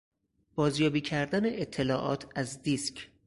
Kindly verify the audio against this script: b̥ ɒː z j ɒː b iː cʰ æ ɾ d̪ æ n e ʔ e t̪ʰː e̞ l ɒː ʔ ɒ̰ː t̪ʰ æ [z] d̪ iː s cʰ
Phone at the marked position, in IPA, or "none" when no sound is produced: z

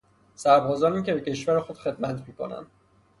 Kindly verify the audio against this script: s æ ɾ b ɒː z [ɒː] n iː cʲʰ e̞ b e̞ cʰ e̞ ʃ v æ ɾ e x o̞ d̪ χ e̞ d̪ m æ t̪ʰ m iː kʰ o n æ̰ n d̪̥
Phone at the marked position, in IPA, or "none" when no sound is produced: ɒː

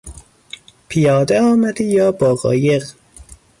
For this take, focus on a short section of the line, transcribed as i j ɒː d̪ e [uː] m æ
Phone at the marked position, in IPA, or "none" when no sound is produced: ɒː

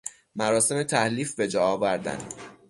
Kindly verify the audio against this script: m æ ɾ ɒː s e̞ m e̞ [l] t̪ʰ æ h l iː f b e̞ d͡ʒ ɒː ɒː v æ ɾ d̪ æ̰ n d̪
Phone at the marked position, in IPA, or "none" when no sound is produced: none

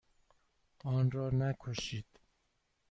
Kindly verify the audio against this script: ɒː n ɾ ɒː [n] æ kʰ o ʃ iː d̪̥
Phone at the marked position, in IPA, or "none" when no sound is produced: n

